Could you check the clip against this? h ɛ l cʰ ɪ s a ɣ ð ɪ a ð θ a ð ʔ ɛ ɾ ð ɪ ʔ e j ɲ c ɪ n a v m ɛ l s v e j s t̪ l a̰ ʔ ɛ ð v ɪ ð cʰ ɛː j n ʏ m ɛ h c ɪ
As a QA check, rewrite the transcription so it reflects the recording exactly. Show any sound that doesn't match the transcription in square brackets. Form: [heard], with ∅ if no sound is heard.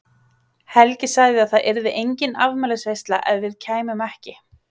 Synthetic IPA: h ɛ l [c] ɪ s a ɣ ð ɪ a ð θ a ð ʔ ɛ ɾ ð ɪ ʔ e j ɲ c ɪ n a v m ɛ l s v e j s t̪ l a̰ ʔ ɛ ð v ɪ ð cʰ [aː] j [m] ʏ m ɛ h c ɪ